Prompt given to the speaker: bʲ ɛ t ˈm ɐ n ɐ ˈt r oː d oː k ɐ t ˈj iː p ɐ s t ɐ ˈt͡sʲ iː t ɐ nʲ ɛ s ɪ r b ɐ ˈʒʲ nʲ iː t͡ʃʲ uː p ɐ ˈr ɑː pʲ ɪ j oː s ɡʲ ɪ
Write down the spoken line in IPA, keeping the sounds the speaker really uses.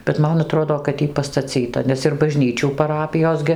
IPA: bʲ ɛ t ˈm ɐ n ɐ ˈt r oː d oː k ɐ t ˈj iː p ɐ s t ɐ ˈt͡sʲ iː t ɐ nʲ ɛ s ɪ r b ɐ ˈʒʲ nʲ iː t͡ʃʲ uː p ɐ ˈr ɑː pʲ ɪ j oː s ɡʲ ɪ

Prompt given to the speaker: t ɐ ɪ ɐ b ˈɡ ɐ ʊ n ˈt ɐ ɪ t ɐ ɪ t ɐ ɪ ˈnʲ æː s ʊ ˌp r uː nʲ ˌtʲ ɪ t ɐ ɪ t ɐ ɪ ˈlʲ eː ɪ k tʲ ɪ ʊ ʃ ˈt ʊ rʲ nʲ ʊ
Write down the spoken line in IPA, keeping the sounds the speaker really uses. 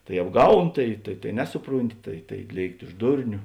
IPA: t ɐ ɪ ɐ b ˈɡ ɐ ʊ n ˈt ɐ ɪ t ɐ ɪ t ɐ ɪ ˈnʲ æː s ʊ ˌp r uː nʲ ˌtʲ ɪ t ɐ ɪ t ɐ ɪ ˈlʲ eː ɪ k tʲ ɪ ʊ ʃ ˈd ʊ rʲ nʲ ʊ

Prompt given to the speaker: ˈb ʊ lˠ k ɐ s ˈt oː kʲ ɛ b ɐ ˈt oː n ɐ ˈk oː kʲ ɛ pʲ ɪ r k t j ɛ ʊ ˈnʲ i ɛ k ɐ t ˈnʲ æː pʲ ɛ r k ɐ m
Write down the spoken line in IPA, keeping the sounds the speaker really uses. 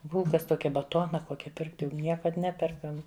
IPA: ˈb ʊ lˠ k ɐ s ˈt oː kʲ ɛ b ɐ ˈt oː n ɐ ˈk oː kʲ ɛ pʲ ɪ r k t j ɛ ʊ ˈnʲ i ɛ k ɐ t ˈnʲ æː pʲ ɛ r k ɐ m

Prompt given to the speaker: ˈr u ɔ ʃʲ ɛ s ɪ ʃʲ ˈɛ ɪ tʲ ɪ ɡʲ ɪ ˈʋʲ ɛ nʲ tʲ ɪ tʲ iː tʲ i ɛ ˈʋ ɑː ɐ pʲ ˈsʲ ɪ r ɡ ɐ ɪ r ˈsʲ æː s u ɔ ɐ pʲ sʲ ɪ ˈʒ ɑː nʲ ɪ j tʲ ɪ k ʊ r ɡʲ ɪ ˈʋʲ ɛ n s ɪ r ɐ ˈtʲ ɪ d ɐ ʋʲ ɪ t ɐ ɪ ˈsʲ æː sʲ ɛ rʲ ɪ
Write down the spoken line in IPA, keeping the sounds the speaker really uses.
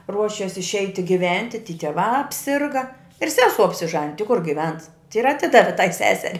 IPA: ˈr u ɔ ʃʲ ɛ s ɪ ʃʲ ˈɛ ɪ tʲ ɪ ɡʲ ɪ ˈʋʲ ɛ nʲ tʲ ɪ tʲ iː tʲ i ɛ ˈʋ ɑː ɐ pʲ ˈsʲ ɪ r ɡ ɐ ɪ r ˈsʲ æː s u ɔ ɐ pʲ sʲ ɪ ˈʒ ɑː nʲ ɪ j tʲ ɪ k ʊ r ɡʲ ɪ ˈʋʲ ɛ n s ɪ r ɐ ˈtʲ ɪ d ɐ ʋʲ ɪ t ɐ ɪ ˈsʲ æː sʲ ɛ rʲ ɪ

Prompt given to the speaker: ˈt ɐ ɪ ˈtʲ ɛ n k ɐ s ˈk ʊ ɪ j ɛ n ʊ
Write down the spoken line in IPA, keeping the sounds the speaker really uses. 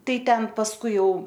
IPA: ˈt ɐ ɪ ˈtʲ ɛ n p ɐ s ˈk ʊ ɪ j ɛ ʊ

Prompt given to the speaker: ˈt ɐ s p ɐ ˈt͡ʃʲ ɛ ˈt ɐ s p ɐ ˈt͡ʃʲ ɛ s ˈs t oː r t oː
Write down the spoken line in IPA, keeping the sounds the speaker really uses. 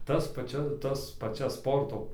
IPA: ˈt ɐ s p ɐ ˈt͡ʃʲ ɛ ˈt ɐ s p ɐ ˈt͡ʃʲ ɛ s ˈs p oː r t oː

